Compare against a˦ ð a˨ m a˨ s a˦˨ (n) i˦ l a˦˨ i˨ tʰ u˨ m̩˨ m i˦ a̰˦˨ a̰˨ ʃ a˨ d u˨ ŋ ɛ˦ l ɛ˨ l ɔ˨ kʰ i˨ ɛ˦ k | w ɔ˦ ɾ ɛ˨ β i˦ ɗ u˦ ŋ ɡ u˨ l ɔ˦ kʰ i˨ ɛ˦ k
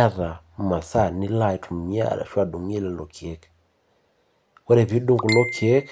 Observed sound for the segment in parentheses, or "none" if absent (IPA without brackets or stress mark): n